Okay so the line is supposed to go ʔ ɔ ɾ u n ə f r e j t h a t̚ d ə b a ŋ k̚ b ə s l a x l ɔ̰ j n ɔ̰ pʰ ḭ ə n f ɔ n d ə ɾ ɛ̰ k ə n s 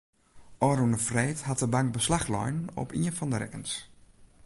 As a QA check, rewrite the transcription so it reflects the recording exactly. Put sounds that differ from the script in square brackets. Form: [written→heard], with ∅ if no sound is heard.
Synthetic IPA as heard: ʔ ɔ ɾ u n ə f r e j t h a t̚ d ə b a ŋ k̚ b ə s l a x l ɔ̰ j n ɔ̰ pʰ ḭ ə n f ɔ n d ə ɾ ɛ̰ k ə n s

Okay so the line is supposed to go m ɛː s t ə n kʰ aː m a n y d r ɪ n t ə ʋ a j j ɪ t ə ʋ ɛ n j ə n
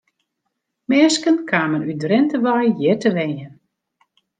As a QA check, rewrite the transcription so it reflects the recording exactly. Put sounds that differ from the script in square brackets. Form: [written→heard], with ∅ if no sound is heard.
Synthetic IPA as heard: m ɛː s [t→k] ə n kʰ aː m [a→ə] n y d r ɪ n t ə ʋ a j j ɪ t ə ʋ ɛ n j ə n

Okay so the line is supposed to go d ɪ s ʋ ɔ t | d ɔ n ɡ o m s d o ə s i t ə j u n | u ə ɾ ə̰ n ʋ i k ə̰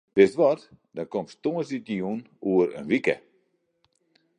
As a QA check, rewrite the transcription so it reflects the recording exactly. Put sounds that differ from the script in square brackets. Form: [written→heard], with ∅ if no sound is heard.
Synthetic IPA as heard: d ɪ s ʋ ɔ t | d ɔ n [ɡ→k] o m s [d→t] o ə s i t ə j u n | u ə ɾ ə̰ n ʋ i k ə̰

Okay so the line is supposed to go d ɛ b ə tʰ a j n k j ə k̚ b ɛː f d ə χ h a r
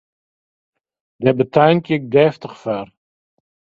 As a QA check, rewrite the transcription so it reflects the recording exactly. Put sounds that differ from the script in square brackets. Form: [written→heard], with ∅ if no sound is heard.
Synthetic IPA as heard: d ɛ b ə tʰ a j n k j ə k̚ [b→d] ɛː f [d→t] ə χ [h→f] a r

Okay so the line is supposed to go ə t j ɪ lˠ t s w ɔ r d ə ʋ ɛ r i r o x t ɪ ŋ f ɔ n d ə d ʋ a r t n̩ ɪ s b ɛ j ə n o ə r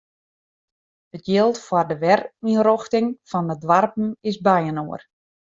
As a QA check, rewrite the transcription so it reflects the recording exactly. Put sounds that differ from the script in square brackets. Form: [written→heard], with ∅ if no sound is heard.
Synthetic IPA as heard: ə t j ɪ lˠ t [s→f] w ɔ r d ə ʋ ɛ r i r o x t ɪ ŋ f ɔ n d ə d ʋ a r [t→p] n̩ ɪ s b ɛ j ə n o ə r

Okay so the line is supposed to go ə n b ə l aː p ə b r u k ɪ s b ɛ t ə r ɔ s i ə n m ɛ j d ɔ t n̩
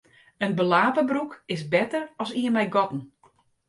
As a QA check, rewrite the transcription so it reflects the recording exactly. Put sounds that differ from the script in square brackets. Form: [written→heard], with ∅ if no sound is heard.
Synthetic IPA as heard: ə n b ə l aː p ə b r u k ɪ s b ɛ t ə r ɔ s i ə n m ɛ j [d→ɡ] ɔ t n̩

